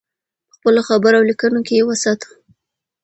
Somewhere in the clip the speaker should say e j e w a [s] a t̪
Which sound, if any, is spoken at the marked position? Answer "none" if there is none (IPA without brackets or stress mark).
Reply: s